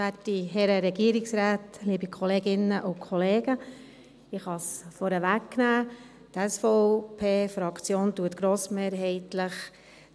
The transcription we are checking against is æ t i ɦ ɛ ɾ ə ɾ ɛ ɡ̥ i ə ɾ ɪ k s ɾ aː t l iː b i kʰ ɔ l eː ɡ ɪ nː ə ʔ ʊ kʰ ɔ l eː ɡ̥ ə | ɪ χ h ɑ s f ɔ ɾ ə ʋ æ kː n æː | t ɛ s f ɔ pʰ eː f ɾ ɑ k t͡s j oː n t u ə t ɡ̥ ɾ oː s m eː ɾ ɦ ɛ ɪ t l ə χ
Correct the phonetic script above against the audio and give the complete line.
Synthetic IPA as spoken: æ t i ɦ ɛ ɾ ə ɾ ɛ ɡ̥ i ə ɾ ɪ k s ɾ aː t l iː b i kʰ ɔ l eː ɡ ɪ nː ə ʔ ʊ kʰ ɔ l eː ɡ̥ ə | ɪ χ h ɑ s f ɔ ɾ ə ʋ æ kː n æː | t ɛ s f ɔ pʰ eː f ɾ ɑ k t͡s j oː n t u ə t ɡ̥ ɾ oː s m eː ɾ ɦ ɛ ɪ t l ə χ